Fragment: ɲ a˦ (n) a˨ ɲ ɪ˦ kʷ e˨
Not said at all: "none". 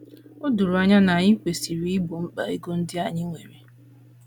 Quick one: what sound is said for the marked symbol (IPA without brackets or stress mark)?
n